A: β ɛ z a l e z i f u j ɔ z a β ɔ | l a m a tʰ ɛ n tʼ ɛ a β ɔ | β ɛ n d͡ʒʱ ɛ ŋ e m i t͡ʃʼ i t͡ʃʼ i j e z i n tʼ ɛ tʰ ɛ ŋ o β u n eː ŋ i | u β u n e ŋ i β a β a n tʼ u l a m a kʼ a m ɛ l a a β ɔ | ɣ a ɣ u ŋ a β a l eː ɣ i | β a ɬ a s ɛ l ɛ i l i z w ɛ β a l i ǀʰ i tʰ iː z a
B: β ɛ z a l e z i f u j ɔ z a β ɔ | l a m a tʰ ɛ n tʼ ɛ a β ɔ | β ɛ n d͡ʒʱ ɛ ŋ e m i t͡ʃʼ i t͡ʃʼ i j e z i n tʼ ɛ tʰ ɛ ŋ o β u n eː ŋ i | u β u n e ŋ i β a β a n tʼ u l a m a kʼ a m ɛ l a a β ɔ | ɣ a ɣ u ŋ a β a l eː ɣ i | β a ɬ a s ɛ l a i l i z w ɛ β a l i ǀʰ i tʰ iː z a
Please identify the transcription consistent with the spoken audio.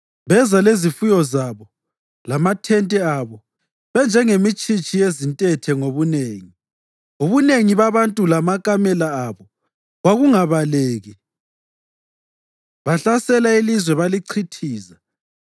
B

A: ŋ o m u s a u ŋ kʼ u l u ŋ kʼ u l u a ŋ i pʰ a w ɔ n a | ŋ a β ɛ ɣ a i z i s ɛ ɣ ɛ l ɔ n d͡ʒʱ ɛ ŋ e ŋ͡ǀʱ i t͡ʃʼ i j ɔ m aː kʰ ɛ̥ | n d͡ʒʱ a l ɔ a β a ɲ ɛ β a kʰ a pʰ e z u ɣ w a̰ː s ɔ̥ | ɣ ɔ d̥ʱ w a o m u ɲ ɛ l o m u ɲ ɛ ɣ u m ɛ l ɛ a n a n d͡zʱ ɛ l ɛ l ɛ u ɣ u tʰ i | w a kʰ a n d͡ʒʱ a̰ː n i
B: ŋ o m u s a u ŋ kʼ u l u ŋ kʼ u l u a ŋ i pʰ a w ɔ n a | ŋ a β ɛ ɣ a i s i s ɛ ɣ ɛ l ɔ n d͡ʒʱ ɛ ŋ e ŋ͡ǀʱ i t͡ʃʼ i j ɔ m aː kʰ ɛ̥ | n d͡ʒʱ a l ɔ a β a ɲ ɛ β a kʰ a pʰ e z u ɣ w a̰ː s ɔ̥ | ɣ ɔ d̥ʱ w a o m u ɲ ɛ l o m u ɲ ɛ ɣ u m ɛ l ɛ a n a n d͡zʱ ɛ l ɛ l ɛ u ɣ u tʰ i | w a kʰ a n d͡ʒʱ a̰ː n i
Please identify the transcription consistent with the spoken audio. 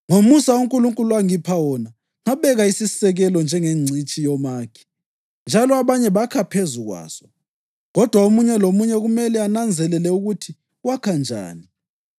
B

